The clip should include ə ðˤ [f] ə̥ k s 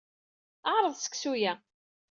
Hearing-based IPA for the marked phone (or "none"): s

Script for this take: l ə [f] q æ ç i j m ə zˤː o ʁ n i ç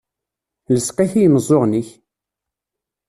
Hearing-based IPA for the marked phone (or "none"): s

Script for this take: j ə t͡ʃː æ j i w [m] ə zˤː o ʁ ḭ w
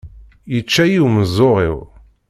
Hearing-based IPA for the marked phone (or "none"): m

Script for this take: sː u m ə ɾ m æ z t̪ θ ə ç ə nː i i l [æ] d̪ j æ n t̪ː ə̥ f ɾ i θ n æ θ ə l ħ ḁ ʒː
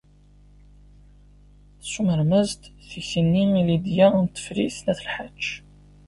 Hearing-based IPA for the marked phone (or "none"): i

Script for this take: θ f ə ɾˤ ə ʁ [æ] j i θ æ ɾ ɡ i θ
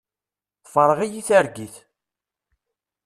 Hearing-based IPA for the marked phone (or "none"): i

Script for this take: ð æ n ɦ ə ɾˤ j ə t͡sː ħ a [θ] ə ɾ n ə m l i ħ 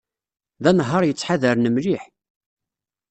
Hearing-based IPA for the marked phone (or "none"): ð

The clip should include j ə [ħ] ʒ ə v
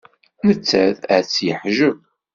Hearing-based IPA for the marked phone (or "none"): ħ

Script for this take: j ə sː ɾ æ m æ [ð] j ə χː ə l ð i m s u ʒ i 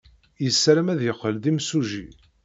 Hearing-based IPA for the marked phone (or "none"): ð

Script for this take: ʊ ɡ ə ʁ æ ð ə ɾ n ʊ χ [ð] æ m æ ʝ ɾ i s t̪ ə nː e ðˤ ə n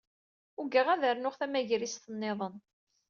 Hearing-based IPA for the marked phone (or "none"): θ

